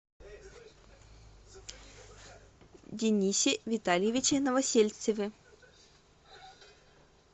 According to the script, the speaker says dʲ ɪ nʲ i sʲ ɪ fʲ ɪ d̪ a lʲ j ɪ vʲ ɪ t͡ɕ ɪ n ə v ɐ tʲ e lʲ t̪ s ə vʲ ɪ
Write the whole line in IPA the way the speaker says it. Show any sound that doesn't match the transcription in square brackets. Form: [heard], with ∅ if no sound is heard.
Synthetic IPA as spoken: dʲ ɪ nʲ i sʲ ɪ [vʲ] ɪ [t̪] a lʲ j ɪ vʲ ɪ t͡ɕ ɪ n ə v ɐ [sʲ] e lʲ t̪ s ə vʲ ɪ